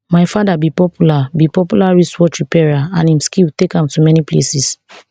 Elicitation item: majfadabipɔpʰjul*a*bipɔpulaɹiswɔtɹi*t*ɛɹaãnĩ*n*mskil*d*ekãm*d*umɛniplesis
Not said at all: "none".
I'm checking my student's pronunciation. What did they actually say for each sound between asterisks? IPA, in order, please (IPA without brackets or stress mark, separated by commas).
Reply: a, p, none, t, t